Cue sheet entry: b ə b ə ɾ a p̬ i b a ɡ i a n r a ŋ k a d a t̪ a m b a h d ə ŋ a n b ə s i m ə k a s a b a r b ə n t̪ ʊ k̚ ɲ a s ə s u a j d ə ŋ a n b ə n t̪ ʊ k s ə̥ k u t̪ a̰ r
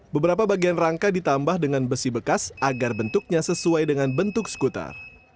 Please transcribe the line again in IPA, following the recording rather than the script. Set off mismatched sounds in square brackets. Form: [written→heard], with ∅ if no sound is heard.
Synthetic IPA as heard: b ə b ə ɾ a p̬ [i→a] b a ɡ i a n r a ŋ k a d [a→i] t̪ a m b a h d ə ŋ a n b ə s i [m→b] ə k a s a [b→ɡ] a r b ə n t̪ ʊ k̚ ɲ a s ə s u a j d ə ŋ a n b ə n t̪ ʊ k s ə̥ k u t̪ a̰ r